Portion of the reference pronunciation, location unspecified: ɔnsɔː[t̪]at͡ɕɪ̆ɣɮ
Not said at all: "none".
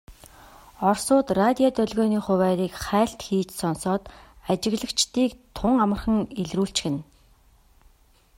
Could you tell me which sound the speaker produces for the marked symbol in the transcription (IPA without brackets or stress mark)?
t̪